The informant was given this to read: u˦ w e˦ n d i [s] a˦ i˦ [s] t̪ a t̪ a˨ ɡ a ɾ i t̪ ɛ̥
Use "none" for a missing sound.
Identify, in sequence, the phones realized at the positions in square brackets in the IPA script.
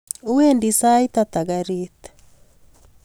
s, none

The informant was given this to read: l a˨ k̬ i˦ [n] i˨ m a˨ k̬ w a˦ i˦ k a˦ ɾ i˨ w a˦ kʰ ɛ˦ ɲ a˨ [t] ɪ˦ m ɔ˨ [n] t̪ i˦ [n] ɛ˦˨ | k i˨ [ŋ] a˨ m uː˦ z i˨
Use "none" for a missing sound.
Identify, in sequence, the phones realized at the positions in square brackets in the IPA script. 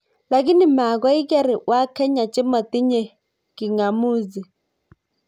n, t͡ʃ, none, ɲ, ŋ

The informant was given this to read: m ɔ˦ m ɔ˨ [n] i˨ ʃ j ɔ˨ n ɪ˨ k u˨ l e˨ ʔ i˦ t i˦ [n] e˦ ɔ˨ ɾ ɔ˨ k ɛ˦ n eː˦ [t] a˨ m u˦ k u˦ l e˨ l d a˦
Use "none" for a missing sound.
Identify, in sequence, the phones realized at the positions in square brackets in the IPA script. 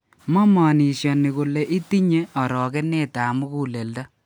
n, ɲ, t

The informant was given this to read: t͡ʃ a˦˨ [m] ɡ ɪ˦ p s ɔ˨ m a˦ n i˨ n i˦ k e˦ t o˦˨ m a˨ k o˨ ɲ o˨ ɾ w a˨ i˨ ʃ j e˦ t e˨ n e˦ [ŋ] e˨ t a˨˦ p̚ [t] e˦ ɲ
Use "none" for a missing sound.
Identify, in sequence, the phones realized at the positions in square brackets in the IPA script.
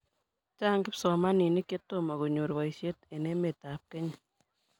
ŋ, m, k

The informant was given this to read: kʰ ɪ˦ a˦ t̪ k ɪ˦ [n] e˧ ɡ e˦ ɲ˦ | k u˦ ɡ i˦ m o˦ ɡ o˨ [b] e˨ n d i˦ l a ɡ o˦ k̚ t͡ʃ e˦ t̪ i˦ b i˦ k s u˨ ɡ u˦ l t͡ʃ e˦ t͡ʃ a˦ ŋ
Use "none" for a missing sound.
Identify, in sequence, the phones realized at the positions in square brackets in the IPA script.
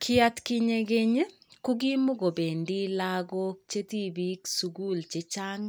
ɲ, b

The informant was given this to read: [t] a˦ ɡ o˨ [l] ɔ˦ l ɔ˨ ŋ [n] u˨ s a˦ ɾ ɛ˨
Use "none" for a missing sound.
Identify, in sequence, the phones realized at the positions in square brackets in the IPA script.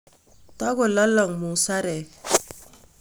t, l, m

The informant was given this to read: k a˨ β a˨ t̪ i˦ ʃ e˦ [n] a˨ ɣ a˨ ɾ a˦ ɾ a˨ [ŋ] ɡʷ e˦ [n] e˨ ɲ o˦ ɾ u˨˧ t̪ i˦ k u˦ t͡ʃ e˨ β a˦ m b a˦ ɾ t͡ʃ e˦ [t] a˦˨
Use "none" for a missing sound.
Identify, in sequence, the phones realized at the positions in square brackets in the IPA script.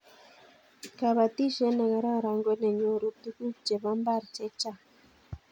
n, ŋ, n, t͡ʃ

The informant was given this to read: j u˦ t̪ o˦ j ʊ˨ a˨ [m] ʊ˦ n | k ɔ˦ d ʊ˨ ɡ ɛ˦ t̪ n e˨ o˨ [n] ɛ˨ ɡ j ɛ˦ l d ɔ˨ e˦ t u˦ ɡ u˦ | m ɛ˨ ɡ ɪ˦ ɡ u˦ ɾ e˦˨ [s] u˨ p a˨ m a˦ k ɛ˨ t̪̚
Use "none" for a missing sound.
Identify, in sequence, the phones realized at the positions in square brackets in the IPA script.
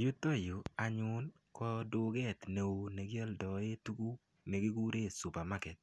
ɲ, n, s

